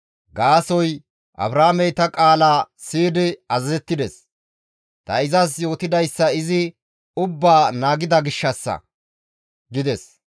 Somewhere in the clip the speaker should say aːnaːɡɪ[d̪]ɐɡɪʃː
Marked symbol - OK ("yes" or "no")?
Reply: yes